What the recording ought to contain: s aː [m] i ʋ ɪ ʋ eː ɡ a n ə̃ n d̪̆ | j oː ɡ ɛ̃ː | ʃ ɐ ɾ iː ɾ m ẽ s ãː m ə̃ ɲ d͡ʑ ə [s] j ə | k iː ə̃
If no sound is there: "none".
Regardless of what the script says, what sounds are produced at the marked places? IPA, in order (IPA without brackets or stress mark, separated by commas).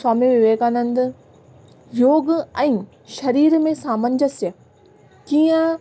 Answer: m, s